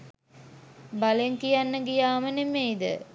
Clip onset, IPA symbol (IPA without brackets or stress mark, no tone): b